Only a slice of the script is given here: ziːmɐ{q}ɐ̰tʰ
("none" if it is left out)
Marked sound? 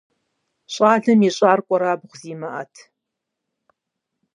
ʔ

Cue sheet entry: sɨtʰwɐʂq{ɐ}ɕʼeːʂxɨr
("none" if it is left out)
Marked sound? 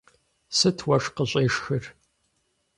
ə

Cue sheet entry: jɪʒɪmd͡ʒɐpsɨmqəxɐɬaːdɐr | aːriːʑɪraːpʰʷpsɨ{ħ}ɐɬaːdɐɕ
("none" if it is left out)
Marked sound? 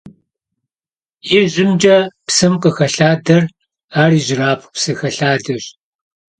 x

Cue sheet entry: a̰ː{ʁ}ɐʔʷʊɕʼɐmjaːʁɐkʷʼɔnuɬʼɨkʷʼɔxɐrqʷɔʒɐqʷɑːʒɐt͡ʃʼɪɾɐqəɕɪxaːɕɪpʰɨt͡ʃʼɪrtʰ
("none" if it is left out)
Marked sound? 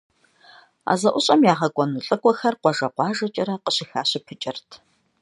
z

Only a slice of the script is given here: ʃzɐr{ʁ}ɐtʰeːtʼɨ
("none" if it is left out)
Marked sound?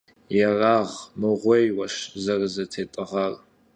z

